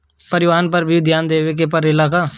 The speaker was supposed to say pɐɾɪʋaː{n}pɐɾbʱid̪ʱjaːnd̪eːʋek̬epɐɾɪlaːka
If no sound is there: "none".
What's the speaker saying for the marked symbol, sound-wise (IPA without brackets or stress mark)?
n